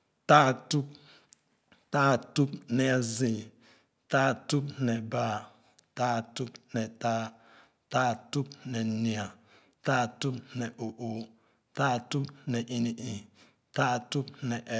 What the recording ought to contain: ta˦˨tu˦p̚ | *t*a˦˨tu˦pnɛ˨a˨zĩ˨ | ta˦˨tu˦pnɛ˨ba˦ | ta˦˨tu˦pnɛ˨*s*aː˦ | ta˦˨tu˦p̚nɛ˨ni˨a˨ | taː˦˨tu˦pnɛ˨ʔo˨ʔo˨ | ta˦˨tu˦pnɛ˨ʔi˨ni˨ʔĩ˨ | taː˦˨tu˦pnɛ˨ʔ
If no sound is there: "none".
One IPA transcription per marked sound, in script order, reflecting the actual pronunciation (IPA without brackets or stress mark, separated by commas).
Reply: t, t